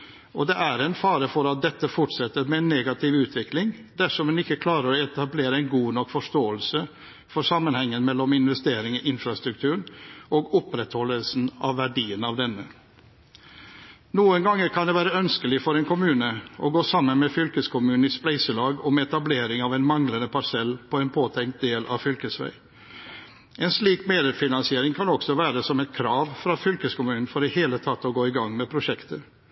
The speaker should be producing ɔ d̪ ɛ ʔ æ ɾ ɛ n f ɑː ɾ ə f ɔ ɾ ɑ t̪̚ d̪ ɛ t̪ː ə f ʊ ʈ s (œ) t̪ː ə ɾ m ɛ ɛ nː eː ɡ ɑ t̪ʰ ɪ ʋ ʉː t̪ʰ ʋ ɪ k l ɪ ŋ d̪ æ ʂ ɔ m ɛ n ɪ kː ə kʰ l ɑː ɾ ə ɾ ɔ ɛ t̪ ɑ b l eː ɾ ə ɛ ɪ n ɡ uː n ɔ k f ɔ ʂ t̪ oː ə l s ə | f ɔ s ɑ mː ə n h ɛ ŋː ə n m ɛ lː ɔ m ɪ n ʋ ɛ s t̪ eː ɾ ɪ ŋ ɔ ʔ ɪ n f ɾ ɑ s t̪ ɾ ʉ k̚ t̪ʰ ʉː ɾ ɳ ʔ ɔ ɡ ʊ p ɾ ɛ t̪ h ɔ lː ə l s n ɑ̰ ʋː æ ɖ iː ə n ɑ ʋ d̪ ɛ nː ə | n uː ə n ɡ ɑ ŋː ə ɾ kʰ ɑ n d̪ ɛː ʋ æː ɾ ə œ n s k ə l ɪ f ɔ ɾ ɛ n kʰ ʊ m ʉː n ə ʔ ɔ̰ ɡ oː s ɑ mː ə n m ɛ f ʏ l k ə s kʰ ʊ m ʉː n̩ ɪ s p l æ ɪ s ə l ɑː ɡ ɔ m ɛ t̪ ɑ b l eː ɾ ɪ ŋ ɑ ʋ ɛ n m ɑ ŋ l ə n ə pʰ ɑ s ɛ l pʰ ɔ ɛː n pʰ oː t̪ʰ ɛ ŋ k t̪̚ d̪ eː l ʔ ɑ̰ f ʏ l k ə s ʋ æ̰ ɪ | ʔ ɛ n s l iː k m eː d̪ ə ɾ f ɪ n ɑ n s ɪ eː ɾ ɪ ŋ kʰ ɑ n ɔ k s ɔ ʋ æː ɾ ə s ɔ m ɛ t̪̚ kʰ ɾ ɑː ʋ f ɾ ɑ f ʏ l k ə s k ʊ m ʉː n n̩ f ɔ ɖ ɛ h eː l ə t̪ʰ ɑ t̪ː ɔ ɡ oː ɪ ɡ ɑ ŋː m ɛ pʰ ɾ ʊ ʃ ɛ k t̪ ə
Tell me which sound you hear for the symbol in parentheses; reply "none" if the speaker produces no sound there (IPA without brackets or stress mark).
ɛ